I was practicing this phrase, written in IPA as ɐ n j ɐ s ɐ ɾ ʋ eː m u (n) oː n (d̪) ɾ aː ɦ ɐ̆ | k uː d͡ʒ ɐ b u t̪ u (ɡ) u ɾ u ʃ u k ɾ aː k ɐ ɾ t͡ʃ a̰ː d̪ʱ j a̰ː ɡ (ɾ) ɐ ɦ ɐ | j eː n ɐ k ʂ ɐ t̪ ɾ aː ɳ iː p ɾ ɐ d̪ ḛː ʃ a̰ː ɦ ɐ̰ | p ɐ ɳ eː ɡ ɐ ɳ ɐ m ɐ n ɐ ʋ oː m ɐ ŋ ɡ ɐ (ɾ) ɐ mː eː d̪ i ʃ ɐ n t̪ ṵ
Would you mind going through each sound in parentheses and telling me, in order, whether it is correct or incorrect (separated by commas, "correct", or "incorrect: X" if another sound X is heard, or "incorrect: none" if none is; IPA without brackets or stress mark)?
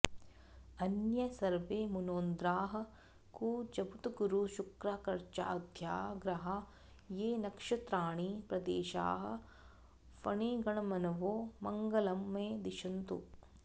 correct, correct, correct, correct, incorrect: l